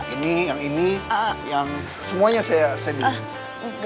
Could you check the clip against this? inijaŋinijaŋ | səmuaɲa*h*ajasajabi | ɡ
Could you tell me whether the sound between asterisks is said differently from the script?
yes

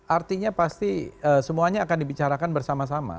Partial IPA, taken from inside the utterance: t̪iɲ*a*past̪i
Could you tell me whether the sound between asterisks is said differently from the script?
no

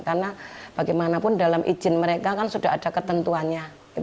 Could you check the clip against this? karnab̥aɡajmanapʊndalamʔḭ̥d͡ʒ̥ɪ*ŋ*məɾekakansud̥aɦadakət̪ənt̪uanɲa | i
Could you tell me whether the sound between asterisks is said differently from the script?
yes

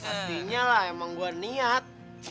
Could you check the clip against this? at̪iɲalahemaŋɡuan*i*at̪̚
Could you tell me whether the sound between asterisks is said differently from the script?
no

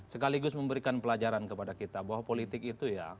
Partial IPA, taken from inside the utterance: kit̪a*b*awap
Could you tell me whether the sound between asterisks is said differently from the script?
no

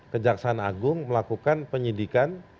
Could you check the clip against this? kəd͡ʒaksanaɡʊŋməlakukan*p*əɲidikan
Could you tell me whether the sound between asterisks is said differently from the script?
no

